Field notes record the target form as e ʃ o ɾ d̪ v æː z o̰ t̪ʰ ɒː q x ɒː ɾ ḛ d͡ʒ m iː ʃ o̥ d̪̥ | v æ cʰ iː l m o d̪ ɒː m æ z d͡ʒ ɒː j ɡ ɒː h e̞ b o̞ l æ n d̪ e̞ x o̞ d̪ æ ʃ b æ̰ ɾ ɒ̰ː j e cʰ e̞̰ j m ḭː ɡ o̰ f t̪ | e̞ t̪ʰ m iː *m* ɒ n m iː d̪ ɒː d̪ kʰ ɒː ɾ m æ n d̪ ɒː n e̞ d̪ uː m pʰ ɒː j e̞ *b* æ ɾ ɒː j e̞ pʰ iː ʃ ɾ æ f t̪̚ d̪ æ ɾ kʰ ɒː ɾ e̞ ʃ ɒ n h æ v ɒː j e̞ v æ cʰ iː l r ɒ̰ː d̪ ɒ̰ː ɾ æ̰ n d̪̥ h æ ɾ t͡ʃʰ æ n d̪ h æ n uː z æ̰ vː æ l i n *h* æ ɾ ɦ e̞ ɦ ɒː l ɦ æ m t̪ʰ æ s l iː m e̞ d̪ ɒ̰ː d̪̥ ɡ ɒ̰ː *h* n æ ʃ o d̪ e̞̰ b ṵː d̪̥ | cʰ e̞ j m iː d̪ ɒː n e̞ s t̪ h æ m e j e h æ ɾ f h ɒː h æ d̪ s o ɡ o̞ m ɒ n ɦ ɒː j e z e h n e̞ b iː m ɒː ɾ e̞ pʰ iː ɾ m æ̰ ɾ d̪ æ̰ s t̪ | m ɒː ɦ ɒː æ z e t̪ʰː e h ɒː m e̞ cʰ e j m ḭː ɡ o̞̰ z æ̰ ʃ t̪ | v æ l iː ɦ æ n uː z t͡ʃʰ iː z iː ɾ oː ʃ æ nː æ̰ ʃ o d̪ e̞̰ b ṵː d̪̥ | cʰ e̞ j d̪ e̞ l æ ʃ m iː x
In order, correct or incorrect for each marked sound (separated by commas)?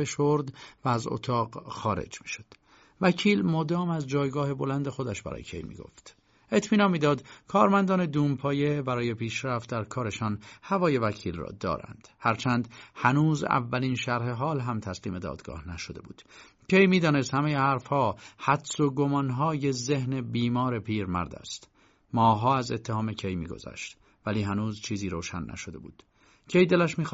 incorrect, correct, incorrect, correct